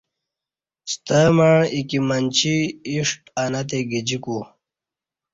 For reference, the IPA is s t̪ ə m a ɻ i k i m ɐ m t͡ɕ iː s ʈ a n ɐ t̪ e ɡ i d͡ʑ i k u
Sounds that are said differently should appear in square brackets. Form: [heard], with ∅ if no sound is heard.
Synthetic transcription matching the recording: s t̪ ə m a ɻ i k i m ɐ [n] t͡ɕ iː [ʂ] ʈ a n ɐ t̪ e ɡ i d͡ʑ i k u